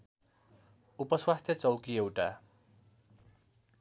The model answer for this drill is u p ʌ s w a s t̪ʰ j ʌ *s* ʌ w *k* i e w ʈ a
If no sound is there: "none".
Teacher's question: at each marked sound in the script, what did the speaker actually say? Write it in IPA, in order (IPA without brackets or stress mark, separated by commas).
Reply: t͡s, k